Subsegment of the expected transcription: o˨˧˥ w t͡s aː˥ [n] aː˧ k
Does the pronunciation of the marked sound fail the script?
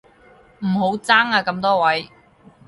yes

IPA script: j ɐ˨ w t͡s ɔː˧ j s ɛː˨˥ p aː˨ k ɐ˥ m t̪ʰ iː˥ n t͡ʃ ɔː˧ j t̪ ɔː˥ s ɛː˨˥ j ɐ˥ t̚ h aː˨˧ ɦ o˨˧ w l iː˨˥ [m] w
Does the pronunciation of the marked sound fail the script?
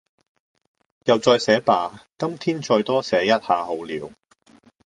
yes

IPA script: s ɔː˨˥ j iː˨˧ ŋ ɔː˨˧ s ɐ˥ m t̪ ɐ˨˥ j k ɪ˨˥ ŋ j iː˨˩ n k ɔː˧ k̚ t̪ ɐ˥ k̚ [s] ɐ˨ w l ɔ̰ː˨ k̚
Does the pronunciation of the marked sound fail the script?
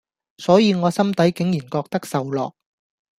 no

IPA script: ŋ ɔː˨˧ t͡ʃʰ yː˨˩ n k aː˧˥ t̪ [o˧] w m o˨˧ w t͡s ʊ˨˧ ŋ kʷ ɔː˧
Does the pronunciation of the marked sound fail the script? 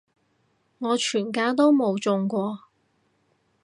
yes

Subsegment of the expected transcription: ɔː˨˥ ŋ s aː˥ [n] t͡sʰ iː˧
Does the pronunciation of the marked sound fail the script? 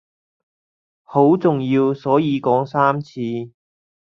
yes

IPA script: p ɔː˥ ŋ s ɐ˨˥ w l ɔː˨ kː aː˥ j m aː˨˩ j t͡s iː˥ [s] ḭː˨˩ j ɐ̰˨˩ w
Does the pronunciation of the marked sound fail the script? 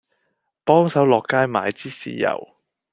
no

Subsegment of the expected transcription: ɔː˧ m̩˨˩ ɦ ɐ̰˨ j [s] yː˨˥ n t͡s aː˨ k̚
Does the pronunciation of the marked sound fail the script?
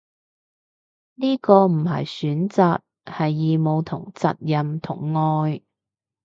no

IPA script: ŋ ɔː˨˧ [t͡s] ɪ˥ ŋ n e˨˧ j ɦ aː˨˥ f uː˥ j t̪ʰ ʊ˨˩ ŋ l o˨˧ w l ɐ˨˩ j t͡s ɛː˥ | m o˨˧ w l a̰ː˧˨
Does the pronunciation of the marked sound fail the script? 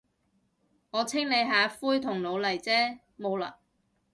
yes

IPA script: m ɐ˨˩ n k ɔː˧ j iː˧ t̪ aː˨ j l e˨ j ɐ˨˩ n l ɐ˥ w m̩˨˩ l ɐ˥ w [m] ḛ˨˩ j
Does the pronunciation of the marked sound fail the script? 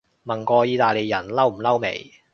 no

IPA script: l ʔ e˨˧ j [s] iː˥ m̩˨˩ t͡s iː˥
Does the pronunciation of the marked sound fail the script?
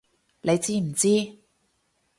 yes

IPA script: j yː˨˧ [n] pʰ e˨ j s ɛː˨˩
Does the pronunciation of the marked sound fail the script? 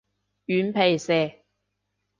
no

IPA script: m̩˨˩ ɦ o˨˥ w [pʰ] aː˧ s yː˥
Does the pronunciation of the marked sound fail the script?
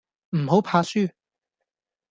no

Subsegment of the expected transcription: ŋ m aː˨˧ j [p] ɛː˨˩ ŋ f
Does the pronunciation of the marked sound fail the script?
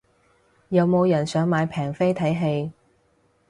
yes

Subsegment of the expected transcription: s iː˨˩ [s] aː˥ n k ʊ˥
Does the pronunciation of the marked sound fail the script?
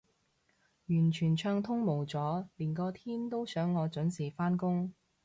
yes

